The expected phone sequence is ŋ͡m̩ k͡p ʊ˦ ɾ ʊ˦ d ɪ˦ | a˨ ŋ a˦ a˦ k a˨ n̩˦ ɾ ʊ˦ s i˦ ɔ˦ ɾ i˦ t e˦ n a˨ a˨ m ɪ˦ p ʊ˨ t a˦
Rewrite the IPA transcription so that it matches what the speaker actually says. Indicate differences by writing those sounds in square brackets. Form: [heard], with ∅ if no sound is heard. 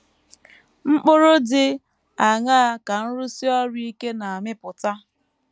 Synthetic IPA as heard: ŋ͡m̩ k͡p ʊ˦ ɾ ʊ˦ d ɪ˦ | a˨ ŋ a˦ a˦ k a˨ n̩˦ ɾ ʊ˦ s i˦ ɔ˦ ɾ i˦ [k] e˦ n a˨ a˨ m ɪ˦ p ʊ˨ t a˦